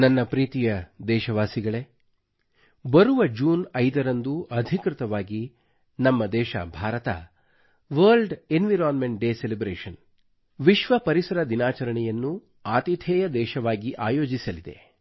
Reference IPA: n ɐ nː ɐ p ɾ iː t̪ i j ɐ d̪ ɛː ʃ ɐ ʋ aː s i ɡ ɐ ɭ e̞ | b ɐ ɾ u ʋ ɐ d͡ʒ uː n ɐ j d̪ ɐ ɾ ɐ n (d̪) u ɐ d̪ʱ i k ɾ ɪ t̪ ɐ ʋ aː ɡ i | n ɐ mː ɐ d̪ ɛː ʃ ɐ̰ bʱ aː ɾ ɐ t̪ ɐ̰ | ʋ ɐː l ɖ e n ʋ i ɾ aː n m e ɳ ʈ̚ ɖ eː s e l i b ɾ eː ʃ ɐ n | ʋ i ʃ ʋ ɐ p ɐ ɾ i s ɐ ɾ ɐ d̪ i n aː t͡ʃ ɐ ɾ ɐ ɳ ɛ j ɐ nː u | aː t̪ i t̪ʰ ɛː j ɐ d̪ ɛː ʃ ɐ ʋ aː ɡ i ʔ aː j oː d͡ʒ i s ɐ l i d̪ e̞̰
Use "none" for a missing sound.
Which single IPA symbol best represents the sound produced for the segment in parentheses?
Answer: d̪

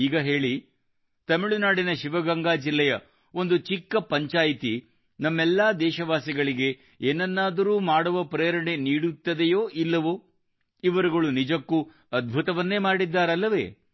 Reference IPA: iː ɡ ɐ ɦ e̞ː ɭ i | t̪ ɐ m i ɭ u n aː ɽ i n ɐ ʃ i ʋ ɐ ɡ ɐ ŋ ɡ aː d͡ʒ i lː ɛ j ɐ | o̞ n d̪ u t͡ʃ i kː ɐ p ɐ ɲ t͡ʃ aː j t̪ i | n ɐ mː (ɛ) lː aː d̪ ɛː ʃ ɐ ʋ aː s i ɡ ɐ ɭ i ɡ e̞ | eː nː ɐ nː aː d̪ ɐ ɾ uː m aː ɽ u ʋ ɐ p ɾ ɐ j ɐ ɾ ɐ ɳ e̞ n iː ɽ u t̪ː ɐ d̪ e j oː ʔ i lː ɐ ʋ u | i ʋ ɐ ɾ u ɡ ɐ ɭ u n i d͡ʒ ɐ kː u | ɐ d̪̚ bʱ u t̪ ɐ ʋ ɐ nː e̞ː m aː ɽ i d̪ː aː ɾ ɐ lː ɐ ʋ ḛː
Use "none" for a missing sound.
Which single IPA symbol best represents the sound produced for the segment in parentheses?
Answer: ɛ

